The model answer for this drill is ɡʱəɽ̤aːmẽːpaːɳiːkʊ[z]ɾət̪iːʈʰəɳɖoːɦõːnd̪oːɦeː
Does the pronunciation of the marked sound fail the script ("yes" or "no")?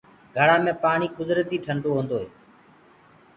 no